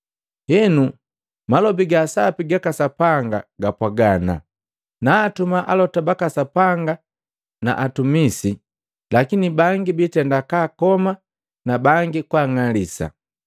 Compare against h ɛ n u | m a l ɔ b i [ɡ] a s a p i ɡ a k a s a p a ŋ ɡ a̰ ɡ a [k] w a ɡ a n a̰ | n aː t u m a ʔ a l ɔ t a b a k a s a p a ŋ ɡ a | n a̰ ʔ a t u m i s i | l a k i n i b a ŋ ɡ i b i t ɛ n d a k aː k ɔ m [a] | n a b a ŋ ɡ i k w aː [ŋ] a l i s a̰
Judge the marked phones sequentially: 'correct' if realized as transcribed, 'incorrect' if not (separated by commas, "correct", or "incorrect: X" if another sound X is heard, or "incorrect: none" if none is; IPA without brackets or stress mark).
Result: correct, incorrect: p, correct, correct